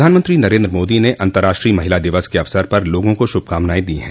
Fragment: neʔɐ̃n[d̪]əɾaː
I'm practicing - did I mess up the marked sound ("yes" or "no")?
yes